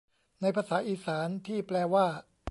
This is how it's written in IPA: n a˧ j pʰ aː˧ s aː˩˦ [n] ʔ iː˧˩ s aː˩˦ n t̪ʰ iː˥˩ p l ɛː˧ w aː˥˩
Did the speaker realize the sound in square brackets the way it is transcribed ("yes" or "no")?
no